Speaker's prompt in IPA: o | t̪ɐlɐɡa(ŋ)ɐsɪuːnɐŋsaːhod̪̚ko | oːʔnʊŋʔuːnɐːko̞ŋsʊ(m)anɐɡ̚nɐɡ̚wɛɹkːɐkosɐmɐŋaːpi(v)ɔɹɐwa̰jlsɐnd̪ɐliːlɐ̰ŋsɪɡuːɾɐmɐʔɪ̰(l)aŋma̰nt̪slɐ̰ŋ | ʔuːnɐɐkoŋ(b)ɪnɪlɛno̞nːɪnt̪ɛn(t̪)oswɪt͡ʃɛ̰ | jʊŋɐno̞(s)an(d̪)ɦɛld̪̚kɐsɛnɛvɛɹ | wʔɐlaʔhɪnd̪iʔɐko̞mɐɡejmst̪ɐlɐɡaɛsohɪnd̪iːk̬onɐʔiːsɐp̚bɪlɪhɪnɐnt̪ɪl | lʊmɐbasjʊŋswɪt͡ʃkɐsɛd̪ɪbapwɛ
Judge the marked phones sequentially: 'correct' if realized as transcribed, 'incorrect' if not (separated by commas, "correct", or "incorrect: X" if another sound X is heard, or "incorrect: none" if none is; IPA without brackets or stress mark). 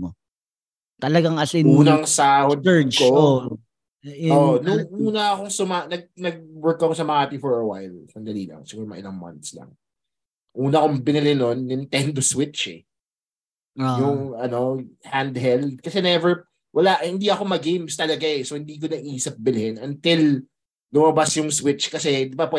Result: correct, correct, incorrect: f, correct, correct, incorrect: d̪, incorrect: h, correct